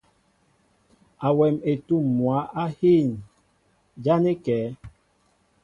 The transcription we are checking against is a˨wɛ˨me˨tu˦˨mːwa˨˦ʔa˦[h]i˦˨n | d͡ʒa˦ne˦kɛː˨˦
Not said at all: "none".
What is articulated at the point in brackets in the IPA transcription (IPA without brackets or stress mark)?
h